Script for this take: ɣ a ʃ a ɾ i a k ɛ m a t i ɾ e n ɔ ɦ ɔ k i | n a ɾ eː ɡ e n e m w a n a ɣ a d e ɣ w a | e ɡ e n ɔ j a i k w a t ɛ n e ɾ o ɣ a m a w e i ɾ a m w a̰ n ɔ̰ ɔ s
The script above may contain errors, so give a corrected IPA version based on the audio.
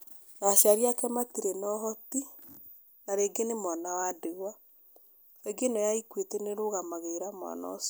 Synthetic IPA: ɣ a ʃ a ɾ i a k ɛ m a t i ɾ e n ɔ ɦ ɔ t i | n a ɾ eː ɡ e n e m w a n a w a d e ɣ w a | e ɡ e n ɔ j a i k w e t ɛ n e ɾ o ɣ a m a ɣ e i ɾ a m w a̰ n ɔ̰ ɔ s

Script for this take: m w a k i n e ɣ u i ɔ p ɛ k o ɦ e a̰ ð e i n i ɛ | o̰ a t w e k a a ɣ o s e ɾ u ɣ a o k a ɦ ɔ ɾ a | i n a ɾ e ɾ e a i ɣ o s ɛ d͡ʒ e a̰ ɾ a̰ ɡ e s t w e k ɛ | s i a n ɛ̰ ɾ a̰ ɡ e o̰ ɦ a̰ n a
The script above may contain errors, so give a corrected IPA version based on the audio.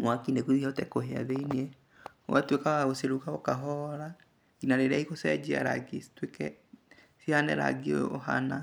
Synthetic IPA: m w a k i n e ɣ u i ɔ t ɛ k o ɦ e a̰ ð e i n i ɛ | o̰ a t w e k a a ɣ o s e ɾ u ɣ a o k a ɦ ɔ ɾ a | i n a ɾ e ɾ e a i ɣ o s ɛ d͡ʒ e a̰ ɾ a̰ ɡ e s t w e k ɛ | s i a n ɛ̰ ɾ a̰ ɡ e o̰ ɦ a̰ n a

